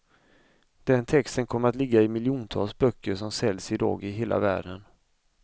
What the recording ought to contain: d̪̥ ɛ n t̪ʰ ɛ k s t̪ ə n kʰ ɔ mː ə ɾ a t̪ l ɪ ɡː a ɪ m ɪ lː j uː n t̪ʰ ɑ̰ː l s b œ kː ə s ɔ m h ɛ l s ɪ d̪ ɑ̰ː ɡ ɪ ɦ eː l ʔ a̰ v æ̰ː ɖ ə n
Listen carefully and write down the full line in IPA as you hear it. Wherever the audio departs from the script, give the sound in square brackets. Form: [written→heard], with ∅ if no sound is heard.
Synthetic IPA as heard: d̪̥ ɛ n t̪ʰ ɛ k s t̪ ə n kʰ ɔ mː ə ɾ a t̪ l ɪ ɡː a ɪ m ɪ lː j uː n t̪ʰ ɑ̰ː l s b œ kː ə [s→ʂ] ɔ m [h→s] ɛ l s ɪ d̪ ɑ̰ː ɡ ɪ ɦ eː l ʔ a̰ v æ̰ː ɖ ə n